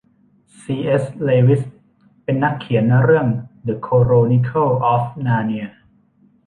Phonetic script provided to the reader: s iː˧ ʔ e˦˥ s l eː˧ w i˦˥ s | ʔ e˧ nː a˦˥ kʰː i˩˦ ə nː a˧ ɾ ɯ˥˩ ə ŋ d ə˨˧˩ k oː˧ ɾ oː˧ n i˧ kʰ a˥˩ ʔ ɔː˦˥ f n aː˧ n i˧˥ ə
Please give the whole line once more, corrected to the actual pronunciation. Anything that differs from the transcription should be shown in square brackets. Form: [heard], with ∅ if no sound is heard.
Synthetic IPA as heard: s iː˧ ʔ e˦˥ s l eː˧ w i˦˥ s | [p] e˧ nː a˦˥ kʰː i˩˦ ə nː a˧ ɾ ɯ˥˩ ə ŋ d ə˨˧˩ [kʰ] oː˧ ɾ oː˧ n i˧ kʰ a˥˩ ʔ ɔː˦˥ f n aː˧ n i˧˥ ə